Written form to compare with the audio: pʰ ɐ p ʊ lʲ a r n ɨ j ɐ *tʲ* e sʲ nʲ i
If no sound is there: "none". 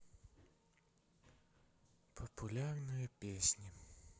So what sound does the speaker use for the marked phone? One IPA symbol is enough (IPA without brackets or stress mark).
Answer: pʲ